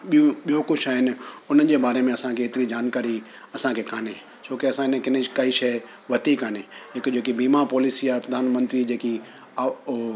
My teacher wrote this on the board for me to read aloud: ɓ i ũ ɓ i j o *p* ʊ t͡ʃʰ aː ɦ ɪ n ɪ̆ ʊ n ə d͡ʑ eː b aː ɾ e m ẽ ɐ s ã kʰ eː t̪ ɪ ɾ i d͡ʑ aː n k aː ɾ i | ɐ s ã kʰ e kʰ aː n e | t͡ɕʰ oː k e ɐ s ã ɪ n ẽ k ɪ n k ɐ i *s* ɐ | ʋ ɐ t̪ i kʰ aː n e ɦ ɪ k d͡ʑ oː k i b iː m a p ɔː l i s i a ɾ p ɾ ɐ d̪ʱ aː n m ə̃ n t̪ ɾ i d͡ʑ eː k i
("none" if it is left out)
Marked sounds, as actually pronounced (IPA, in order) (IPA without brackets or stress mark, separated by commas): k, ʃ